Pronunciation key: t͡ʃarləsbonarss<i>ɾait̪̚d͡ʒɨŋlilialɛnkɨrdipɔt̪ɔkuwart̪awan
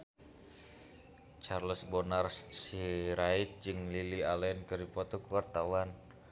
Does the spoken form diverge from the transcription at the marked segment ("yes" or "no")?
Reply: no